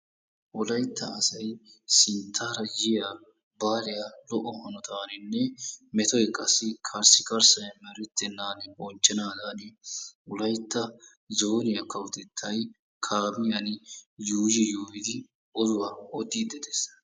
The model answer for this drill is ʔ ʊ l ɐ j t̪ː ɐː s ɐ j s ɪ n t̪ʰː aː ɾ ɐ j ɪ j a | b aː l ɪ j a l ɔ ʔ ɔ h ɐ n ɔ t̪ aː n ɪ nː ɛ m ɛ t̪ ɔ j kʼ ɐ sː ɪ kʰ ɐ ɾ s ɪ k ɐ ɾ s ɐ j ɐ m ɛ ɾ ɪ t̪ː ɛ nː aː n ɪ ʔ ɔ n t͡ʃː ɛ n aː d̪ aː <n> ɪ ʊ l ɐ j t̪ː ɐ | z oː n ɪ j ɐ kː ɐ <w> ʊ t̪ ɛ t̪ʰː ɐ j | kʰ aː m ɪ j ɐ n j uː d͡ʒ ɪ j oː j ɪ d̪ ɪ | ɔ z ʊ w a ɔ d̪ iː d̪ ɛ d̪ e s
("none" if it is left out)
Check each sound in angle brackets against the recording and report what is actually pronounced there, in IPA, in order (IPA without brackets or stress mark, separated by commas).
n, w